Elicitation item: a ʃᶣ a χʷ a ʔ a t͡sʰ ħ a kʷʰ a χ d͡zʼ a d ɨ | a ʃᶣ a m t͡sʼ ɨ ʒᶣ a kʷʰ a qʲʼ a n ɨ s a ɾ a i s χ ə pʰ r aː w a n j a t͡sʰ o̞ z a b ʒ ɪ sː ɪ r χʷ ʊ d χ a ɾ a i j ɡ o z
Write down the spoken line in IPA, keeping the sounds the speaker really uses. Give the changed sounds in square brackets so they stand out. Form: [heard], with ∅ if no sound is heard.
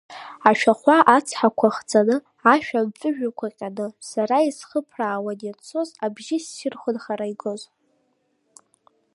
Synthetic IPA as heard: a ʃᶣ a χʷ a ʔ a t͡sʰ ħ a kʷʰ a χ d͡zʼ a [n] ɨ | a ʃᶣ a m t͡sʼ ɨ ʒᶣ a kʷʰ a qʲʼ a n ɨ s a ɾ a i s χ ə pʰ r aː w a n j a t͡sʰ o̞ z a b ʒ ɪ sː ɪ r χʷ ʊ [n] χ a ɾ a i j ɡ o z